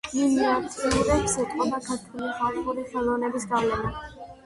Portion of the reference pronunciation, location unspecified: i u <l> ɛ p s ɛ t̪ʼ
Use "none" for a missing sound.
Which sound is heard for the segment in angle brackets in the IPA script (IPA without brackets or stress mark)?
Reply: ɾ